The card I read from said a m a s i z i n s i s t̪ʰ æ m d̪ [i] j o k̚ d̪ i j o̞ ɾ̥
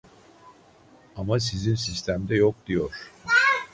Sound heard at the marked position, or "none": ɛ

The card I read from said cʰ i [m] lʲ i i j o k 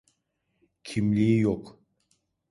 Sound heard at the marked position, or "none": m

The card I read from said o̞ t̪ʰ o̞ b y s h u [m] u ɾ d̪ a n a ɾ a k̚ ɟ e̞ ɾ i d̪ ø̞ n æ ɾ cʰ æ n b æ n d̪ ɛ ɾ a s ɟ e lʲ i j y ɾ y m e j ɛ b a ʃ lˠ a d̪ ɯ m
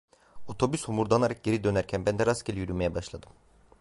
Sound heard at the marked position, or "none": m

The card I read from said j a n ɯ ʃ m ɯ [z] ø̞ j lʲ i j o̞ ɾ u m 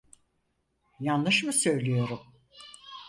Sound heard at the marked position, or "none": s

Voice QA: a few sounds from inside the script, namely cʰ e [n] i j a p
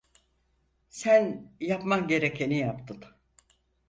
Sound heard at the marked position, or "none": n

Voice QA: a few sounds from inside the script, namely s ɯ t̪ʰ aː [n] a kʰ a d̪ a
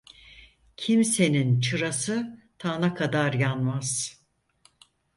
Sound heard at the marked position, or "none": n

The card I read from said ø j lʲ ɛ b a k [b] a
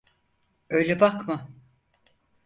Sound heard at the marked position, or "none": m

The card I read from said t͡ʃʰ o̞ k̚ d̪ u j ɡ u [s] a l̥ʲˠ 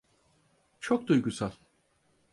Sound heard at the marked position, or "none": s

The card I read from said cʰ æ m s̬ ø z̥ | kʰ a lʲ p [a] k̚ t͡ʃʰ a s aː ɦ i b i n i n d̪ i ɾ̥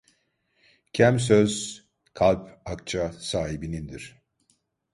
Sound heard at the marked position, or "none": a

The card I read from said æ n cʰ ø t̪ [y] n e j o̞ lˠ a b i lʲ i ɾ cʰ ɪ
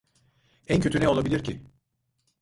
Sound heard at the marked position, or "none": y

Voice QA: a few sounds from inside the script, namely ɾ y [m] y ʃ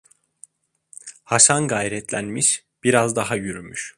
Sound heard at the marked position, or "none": m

